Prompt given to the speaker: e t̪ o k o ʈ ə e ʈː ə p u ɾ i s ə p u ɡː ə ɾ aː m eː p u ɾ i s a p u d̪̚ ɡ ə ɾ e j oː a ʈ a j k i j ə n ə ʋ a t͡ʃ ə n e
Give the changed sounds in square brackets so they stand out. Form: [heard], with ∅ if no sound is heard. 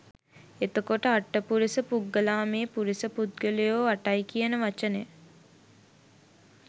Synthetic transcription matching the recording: e t̪ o k o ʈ ə [a] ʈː ə p u ɾ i s ə p u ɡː ə [l] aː m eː p u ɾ i s [ə] p u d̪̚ ɡ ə [l] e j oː a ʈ a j k i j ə n ə ʋ a t͡ʃ ə n e